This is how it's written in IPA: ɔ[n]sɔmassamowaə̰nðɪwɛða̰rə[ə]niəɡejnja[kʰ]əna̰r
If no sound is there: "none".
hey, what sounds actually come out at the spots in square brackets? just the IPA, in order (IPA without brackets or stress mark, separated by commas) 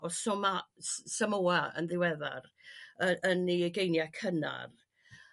none, ə, kʰ